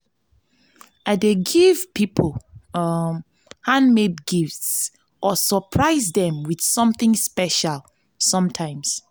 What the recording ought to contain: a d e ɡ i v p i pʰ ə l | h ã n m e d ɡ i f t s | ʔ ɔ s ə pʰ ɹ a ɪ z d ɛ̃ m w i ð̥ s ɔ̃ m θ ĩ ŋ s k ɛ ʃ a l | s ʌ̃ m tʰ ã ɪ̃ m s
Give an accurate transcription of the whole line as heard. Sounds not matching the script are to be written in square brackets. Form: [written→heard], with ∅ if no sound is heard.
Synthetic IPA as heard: a d e ɡ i v p i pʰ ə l | h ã n m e d ɡ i f t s | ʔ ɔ s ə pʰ ɹ a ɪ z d ɛ̃ m w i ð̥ s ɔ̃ m θ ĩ ŋ s [k→p] ɛ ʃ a l | s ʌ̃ m tʰ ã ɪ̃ m s